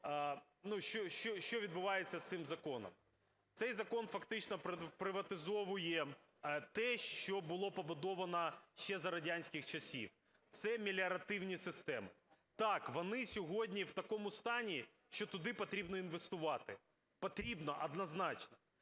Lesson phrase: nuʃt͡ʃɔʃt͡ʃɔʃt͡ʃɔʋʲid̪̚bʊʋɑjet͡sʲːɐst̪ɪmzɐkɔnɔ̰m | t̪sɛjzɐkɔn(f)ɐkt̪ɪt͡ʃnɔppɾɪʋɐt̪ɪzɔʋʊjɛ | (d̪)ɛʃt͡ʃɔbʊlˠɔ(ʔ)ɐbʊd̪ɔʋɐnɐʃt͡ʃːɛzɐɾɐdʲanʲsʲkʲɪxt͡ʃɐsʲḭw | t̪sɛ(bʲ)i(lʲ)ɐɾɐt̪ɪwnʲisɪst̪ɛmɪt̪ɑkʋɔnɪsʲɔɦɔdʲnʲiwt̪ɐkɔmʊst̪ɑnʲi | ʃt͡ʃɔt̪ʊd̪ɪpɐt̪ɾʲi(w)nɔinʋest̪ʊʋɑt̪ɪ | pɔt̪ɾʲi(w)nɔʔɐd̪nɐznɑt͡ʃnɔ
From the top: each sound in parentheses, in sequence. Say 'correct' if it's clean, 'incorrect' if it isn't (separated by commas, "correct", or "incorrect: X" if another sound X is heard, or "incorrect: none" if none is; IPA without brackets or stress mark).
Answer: correct, incorrect: t̪, incorrect: p, incorrect: mʲ, correct, incorrect: b, incorrect: b